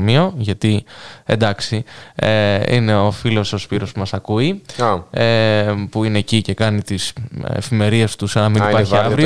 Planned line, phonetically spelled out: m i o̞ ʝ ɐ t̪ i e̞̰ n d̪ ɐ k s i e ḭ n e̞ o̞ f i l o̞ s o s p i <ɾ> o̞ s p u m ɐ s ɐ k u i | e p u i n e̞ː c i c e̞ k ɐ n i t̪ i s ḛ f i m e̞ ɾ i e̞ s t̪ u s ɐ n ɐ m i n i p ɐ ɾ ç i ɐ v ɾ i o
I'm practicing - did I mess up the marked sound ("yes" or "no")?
no